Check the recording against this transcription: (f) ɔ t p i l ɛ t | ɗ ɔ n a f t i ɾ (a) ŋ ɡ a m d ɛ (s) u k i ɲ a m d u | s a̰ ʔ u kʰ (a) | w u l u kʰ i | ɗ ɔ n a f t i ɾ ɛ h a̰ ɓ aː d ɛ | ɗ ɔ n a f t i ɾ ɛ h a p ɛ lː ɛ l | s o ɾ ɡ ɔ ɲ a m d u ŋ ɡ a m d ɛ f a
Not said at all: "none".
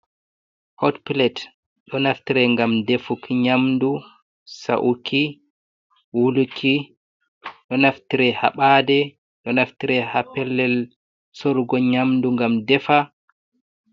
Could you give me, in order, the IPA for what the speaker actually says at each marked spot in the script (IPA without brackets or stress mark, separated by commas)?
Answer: h, ɛ, f, i